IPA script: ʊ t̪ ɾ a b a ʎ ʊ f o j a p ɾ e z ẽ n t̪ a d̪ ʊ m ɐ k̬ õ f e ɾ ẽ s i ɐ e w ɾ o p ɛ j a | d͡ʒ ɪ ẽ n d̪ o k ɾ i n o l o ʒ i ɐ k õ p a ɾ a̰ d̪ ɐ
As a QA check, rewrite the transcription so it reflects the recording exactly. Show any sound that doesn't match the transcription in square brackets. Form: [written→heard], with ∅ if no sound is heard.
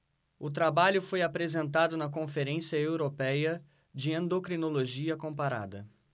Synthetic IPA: ʊ t̪ ɾ a b a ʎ ʊ f o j a p ɾ e z ẽ n t̪ a d̪ ʊ [m→n] ɐ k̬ õ f e ɾ ẽ s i ɐ e w ɾ o p ɛ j [a→ɐ] | d͡ʒ ɪ ẽ n d̪ o k ɾ i n o l o ʒ i ɐ k õ p a ɾ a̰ d̪ ɐ